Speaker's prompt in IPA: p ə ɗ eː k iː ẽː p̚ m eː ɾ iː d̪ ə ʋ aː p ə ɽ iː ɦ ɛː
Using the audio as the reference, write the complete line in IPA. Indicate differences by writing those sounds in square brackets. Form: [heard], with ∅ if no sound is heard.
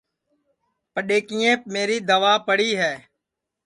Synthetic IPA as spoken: p ə ɗ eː k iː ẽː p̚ m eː ɾ iː d̪ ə ʋ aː p ə ɽ iː ɦ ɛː